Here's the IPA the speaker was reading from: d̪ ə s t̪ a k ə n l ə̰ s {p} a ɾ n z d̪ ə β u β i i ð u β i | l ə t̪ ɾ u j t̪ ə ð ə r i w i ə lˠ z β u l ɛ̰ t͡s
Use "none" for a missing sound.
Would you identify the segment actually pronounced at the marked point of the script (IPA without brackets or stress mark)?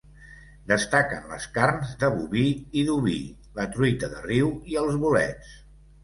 k